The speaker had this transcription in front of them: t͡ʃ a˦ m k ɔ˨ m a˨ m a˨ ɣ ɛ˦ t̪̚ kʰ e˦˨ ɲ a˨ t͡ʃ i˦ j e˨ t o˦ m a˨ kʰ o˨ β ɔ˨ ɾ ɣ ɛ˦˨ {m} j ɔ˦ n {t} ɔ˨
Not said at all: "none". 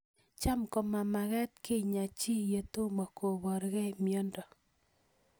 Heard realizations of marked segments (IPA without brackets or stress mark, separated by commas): m, d